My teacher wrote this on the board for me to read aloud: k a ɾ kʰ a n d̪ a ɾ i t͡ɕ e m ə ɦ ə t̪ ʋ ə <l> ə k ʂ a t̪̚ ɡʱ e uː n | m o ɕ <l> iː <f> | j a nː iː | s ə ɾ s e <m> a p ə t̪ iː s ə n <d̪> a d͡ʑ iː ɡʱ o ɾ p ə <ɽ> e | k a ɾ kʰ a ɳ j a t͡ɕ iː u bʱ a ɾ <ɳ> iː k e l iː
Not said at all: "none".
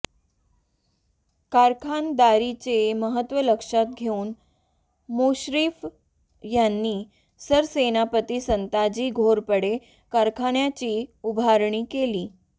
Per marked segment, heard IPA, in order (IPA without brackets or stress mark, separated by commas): l, ɾ, f, n, t̪, ɽ, ɳ